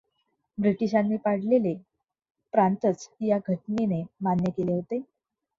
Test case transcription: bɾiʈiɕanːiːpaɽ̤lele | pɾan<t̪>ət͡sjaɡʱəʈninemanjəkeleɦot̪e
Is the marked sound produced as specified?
yes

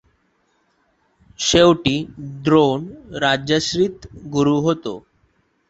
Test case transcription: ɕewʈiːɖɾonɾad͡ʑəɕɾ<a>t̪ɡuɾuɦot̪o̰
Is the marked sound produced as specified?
no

